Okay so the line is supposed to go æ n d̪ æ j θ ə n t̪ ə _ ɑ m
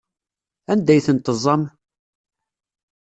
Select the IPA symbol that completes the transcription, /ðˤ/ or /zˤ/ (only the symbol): zˤ